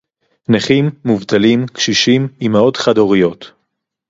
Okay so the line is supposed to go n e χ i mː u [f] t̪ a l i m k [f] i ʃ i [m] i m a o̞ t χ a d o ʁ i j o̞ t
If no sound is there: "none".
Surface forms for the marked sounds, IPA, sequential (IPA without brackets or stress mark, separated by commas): v, ʃ, m